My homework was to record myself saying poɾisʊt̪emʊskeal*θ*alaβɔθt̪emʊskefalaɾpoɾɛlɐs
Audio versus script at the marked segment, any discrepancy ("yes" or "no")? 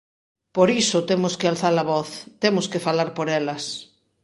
no